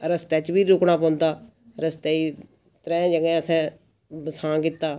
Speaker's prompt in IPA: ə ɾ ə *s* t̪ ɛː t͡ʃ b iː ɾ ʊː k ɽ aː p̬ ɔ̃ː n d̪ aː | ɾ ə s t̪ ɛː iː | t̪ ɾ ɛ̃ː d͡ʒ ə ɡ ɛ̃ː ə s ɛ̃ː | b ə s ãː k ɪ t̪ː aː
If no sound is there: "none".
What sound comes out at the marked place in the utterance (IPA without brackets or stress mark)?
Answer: s